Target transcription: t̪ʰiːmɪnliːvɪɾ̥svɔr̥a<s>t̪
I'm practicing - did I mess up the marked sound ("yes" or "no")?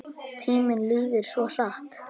yes